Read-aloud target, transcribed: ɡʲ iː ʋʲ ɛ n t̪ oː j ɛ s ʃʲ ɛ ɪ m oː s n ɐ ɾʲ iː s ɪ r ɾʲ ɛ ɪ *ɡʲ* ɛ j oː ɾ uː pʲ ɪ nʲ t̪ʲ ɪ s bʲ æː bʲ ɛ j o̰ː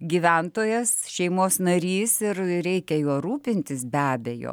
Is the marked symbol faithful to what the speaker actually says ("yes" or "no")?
no